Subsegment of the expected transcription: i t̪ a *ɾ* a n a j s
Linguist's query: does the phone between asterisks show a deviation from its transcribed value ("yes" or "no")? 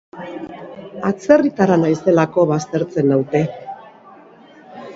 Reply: no